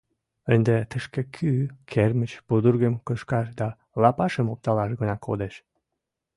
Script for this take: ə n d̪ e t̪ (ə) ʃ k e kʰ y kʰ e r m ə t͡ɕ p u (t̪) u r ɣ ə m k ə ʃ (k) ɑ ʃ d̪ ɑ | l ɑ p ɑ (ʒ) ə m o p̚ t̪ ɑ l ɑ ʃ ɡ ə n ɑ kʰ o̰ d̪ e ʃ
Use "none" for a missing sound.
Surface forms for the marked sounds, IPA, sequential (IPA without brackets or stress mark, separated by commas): ə, d̪, k, ʃ